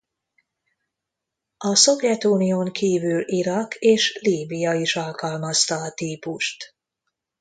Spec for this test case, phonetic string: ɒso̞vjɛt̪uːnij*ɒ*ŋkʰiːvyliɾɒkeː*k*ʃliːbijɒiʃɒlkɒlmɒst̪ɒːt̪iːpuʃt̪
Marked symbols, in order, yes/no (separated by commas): no, no